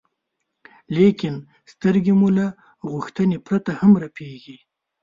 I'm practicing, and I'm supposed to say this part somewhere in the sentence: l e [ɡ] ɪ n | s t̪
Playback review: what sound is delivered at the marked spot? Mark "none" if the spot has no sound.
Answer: k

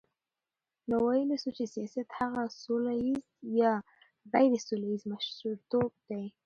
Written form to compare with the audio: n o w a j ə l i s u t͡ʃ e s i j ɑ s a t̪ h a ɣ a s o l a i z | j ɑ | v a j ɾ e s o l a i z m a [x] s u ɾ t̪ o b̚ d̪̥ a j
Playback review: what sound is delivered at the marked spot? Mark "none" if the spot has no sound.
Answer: ʃ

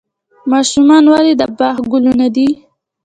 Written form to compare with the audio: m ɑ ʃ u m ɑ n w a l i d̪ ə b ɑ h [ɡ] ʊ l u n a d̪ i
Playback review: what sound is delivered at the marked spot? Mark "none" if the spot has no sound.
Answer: ɡ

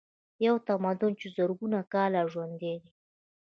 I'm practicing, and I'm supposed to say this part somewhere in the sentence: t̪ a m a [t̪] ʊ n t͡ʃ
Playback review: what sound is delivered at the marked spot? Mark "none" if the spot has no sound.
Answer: d̪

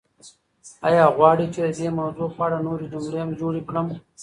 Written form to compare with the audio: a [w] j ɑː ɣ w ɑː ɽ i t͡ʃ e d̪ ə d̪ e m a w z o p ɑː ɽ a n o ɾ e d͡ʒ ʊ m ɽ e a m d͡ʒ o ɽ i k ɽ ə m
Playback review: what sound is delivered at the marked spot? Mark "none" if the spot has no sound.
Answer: none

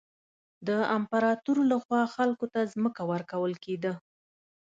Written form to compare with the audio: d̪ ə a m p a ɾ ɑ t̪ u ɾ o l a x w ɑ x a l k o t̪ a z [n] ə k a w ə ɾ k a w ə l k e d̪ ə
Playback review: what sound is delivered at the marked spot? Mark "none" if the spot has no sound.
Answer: m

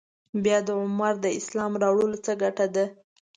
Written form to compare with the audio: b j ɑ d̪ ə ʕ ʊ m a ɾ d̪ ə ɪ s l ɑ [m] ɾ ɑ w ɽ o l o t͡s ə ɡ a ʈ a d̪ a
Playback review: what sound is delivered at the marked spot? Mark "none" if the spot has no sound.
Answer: m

